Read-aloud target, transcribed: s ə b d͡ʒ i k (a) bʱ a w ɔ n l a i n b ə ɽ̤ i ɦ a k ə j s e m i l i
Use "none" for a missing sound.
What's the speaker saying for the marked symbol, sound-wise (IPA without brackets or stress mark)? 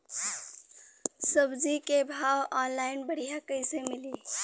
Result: e